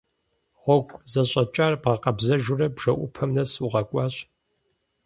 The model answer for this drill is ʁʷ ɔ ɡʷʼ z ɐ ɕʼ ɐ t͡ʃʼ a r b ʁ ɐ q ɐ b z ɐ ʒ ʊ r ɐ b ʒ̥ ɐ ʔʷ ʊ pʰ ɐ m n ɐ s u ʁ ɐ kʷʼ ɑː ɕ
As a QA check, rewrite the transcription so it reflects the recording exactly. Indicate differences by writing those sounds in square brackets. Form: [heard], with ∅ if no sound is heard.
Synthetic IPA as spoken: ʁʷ ɔ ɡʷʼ z ɐ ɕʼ ɐ t͡ʃʼ a r b ʁ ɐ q ɐ b z ɐ ʒ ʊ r ɐ b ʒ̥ ɐ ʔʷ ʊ pʰ ɐ m n ɐ s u ʁ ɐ kʷʼ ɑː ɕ